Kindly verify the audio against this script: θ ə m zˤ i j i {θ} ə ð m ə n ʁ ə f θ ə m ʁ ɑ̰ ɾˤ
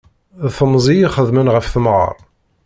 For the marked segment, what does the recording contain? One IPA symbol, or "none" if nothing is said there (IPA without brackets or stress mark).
χ